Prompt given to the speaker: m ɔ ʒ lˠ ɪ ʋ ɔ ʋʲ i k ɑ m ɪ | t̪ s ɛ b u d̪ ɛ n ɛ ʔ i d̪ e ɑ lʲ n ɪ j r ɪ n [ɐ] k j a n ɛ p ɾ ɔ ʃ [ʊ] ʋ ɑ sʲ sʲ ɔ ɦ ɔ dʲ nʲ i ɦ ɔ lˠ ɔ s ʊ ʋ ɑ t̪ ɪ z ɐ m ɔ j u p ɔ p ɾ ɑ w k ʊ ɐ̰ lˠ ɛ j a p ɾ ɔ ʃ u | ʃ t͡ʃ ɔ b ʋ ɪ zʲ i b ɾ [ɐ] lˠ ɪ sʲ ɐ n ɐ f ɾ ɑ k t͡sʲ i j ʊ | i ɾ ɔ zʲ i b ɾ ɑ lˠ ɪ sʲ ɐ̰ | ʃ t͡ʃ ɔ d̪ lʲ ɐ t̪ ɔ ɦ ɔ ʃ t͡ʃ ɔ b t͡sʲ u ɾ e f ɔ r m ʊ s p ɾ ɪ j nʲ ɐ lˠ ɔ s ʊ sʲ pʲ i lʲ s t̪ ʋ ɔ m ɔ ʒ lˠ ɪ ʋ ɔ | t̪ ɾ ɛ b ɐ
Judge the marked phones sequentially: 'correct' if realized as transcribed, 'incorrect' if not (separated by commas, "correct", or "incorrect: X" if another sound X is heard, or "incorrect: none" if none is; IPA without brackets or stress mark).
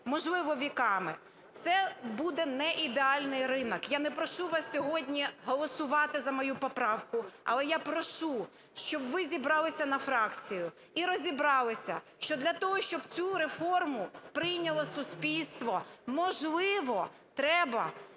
correct, incorrect: u, incorrect: ɑ